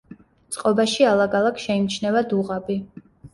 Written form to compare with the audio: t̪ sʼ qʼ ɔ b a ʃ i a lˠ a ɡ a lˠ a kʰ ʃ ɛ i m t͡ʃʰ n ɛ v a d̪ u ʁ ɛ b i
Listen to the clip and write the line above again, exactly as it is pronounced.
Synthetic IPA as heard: t̪ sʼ qʼ ɔ b a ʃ i a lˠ a ɡ a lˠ a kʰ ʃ ɛ i m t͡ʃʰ n ɛ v a d̪ u ʁ a b i